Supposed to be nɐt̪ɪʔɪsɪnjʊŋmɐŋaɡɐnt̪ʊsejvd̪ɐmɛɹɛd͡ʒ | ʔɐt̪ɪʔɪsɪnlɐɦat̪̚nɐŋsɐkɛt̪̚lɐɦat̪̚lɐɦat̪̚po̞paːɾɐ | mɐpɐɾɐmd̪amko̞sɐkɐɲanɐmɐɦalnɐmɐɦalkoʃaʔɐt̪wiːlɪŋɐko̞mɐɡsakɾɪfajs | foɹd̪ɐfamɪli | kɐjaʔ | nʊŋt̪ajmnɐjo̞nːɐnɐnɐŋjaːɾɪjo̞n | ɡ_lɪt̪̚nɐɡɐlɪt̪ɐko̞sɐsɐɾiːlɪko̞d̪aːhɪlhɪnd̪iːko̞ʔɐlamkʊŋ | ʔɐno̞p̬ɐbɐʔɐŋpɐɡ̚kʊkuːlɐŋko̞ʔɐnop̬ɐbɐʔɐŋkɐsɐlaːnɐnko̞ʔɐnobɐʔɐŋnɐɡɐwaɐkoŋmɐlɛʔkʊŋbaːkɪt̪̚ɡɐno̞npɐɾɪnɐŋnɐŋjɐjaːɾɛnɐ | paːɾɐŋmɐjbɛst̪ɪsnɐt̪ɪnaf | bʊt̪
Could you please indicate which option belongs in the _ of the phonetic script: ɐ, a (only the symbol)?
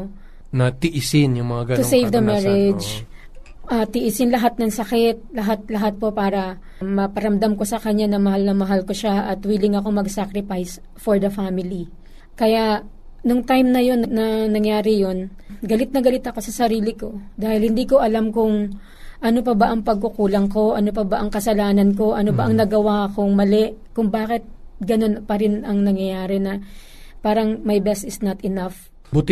ɐ